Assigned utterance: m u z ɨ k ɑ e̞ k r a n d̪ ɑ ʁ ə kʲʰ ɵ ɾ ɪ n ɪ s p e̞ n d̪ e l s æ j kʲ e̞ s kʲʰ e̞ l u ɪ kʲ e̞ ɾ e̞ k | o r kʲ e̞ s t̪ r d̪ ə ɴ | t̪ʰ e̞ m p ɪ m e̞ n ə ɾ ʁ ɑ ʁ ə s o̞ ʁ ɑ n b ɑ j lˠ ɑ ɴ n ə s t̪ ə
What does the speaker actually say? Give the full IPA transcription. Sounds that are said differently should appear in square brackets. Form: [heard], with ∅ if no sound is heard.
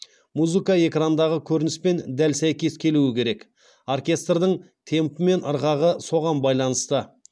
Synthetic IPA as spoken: m u z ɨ k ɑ e̞ k r a n d̪ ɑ ʁ ə kʲʰ ɵ ɾ ɪ n ɪ s p e̞ n d̪ [æ] l s æ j kʲ e̞ s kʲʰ e̞ l u ɪ kʲ e̞ ɾ e̞ k | o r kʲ e̞ s t̪ r d̪ ə ɴ | t̪ʰ e̞ m p ɪ m e̞ n ə ɾ ʁ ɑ ʁ ə s o̞ ʁ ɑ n b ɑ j lˠ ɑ [∅] n ə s t̪ ə